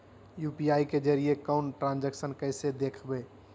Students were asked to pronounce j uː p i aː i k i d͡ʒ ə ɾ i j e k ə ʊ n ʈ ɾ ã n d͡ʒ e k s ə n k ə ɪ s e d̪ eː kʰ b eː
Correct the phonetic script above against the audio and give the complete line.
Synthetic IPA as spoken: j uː p i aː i k e d͡ʒ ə ɾ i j e k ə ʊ n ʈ ɾ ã n d͡ʒ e k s ə n k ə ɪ s e d̪ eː kʰ b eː